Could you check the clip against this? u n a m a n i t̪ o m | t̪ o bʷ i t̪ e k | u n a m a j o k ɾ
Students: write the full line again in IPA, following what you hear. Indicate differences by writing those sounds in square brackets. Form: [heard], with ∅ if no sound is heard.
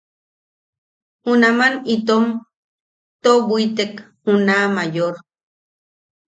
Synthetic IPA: u n a m a n i t̪ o m | t̪ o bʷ i t̪ e k | u n a m a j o [∅] ɾ